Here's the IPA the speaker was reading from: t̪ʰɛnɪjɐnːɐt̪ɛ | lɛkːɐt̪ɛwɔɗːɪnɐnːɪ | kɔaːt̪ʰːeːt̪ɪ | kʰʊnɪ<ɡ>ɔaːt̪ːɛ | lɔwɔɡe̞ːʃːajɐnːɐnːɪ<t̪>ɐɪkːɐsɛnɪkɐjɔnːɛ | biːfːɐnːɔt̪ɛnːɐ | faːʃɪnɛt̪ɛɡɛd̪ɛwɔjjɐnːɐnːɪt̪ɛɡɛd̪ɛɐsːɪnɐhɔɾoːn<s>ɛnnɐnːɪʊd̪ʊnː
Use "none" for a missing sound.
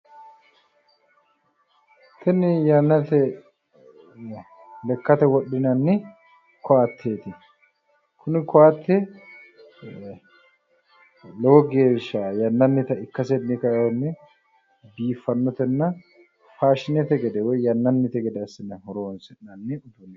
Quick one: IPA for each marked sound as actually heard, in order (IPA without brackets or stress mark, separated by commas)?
k, t̪, s